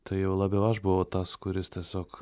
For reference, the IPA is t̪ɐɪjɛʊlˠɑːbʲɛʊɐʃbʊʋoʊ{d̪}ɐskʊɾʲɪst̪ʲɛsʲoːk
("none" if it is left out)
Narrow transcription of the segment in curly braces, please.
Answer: t̪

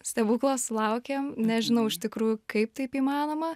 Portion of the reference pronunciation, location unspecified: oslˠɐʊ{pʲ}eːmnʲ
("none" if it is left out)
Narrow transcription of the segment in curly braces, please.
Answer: kʲ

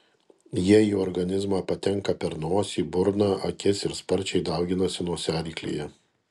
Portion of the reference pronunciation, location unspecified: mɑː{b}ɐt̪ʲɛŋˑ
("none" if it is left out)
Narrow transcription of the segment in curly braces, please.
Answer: p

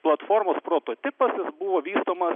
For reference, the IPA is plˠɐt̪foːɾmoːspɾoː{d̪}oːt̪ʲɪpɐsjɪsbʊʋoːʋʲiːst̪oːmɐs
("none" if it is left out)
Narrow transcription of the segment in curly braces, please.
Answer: t̪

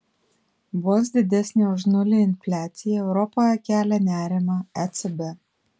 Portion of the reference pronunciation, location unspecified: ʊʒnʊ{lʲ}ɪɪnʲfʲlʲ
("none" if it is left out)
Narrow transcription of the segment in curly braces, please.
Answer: lʲ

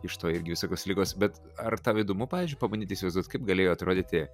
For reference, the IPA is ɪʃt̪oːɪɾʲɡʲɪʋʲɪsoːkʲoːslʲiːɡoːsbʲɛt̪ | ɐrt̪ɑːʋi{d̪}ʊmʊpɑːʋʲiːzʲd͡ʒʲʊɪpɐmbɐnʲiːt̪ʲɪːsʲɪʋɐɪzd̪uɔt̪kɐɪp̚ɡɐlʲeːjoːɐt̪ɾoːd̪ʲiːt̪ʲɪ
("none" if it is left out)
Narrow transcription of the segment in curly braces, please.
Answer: d̪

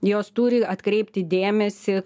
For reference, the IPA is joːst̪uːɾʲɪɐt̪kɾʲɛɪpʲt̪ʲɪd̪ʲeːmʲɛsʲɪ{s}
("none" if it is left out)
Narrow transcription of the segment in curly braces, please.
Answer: none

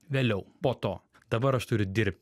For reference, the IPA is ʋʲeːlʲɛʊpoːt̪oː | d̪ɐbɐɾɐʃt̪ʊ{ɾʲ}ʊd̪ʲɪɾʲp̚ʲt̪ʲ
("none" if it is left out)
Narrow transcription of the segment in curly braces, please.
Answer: ɾʲ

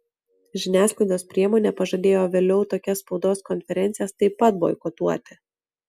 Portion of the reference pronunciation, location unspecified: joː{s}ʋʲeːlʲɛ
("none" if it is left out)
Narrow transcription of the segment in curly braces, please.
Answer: none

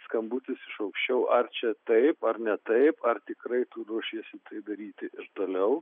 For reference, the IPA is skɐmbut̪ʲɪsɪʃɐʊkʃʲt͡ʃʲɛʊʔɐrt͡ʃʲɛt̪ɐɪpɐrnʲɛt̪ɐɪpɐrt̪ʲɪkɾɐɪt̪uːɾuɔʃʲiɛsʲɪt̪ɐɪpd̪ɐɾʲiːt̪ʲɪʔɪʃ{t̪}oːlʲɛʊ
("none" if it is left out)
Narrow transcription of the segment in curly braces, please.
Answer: t̪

